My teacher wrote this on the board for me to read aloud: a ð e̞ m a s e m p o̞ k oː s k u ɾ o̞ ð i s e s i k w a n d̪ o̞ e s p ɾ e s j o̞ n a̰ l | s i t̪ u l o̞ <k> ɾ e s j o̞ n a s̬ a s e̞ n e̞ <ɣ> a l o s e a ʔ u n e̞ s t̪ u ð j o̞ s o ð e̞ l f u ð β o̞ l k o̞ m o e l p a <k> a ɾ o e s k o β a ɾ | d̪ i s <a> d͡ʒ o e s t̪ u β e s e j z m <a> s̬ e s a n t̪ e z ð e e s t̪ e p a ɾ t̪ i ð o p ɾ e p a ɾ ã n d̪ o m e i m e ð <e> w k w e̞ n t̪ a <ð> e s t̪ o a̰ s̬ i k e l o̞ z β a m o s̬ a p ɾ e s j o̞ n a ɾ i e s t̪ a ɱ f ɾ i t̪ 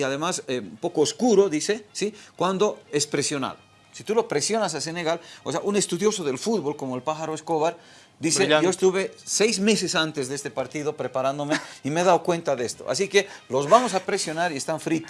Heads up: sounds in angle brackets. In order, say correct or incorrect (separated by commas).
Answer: incorrect, correct, incorrect, incorrect, incorrect, incorrect, correct